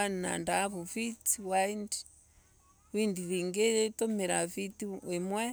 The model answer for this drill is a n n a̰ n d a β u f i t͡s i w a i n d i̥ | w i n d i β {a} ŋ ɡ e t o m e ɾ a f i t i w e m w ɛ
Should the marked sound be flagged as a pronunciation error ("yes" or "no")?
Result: yes